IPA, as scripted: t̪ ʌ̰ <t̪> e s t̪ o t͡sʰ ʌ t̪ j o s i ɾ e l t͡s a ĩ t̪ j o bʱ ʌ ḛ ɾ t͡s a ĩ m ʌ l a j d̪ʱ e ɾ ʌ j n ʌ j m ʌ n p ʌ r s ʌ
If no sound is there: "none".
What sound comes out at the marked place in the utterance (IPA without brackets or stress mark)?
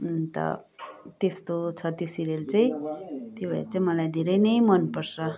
t̪